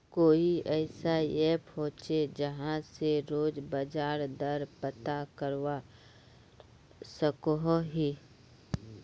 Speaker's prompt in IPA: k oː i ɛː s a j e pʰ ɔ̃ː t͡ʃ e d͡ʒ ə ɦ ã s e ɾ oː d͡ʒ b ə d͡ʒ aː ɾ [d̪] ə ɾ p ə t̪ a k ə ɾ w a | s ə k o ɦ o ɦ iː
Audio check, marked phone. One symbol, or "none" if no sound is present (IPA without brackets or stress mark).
d̪